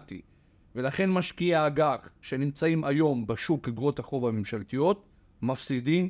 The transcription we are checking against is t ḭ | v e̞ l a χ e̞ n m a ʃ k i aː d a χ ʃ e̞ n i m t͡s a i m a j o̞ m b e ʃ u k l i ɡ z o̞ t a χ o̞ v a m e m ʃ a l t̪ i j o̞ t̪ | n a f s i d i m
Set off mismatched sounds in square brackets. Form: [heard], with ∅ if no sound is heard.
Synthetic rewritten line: t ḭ | v e̞ l a χ e̞ n m a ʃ k i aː [ɡ] a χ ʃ e̞ n i m t͡s a i m a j o̞ m b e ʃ u k l i ɡ [ʁ] o̞ t a χ o̞ v a m e m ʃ a l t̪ i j o̞ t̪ | [m] a f s i d i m